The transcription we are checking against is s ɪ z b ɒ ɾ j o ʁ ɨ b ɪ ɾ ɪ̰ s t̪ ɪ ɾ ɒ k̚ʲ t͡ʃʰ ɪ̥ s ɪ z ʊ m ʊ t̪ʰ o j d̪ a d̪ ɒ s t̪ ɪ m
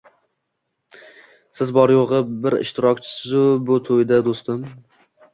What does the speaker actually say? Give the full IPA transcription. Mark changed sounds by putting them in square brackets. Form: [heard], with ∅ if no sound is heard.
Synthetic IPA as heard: s ɪ z b ɒ ɾ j o ʁ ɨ b ɪ ɾ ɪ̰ [ʃ] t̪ ɪ ɾ ɒ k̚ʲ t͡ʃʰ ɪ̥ s ɪ z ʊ [b] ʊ t̪ʰ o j d̪ a d̪ [o] s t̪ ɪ m